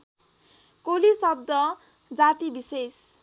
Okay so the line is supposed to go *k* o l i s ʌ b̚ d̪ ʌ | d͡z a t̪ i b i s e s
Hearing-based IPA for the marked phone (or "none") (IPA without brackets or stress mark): k